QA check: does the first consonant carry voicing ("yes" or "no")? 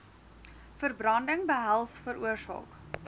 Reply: no